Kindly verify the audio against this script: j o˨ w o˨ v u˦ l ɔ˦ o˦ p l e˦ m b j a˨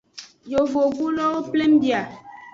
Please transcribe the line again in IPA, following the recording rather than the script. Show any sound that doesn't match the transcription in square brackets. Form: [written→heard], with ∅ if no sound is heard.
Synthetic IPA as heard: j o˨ [w→v] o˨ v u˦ l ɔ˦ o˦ p l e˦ m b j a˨